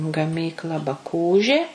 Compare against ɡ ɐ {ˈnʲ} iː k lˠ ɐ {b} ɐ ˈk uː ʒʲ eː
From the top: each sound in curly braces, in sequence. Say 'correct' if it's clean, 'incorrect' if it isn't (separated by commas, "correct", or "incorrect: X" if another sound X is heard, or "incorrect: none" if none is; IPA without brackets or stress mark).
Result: incorrect: mʲ, correct